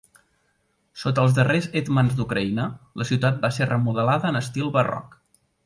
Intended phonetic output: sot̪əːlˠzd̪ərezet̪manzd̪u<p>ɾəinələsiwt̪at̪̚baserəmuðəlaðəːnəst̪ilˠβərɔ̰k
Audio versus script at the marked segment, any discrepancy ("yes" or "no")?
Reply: yes